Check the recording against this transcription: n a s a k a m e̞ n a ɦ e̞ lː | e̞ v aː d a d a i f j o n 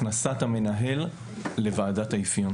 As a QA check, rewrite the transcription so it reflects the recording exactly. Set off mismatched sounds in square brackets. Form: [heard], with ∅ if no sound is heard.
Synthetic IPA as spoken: n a s a [t] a m e̞ n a ɦ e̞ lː | e̞ v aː d a [t] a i f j o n